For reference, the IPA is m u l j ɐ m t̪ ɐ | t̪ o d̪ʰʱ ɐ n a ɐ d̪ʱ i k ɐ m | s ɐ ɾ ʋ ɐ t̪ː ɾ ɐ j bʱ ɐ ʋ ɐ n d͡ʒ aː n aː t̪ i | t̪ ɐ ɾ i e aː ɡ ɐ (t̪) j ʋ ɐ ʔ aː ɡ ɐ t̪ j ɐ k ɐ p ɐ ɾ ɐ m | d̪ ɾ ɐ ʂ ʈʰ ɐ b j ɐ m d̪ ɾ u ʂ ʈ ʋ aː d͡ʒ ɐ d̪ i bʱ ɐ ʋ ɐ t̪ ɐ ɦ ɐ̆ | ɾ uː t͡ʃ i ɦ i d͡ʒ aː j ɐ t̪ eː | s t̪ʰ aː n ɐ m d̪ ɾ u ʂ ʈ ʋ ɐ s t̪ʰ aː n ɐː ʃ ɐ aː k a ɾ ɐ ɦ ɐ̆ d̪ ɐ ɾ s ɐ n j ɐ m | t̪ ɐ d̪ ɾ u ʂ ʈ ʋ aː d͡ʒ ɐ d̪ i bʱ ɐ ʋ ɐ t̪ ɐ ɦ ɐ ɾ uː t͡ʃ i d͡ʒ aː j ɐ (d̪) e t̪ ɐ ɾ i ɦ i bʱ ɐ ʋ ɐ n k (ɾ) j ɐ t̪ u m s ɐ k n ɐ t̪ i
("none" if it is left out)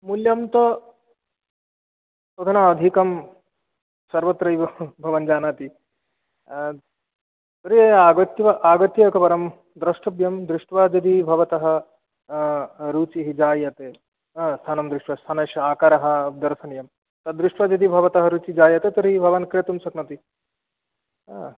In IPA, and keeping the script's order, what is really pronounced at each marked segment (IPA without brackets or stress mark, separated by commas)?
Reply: t̪, t̪, ɾ